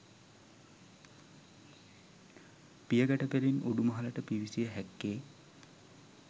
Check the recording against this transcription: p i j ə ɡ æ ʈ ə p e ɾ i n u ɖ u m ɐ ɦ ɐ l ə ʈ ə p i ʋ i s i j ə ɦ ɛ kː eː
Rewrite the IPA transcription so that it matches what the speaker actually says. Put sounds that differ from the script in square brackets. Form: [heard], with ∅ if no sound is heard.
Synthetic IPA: p i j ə ɡ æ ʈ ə p e ɾ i n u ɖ u m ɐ ɦ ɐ l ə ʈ ə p i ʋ i s i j ə ɦ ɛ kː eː